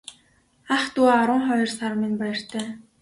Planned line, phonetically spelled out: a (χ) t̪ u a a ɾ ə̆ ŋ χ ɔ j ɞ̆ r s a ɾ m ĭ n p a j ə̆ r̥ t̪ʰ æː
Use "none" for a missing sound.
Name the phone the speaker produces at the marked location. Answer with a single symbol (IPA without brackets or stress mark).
χ